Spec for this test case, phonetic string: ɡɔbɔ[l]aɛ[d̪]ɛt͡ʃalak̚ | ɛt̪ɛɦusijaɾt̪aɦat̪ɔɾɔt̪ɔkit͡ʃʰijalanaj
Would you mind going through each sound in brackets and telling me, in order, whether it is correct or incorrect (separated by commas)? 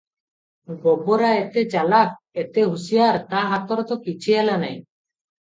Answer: incorrect, incorrect